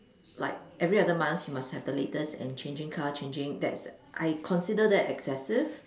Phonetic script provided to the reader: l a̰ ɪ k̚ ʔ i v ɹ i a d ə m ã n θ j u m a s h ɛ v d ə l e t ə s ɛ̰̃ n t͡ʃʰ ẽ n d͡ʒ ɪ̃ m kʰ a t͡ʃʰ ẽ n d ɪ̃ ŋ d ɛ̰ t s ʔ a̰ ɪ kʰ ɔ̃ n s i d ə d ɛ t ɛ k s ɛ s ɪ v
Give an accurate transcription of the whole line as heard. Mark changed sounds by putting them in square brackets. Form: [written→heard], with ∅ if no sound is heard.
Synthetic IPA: l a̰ ɪ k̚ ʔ [i→ɛ] v ɹ i a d ə m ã n θ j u m a s h ɛ v d ə l e t ə s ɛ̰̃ n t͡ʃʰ ẽ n d͡ʒ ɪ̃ [m→ŋ] kʰ a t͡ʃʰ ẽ n [d→d͡ʒ] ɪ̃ ŋ d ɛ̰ t s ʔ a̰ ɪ kʰ ɔ̃ n s i d ə d ɛ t ɛ k s ɛ s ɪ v